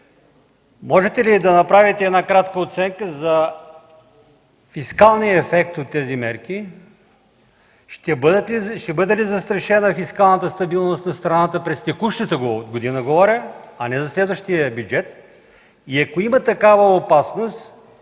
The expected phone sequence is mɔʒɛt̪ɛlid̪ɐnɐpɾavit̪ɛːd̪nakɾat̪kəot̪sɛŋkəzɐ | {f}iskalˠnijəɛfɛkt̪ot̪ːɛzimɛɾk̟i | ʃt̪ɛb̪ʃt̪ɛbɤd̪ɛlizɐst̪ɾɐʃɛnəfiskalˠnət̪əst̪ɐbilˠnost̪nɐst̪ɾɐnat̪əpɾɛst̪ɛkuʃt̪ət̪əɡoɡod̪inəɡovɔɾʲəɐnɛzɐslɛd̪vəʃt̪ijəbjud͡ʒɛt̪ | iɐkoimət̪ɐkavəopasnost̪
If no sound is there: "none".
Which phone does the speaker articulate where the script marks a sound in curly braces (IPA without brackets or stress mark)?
f